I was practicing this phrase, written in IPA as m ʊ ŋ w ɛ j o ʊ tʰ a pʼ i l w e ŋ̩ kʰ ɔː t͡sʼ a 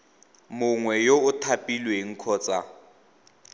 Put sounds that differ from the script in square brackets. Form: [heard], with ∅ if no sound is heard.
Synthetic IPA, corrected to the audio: m ʊ ŋ w ɛ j o ʊ tʰ a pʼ i l w e ŋ̩ kʰ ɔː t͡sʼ a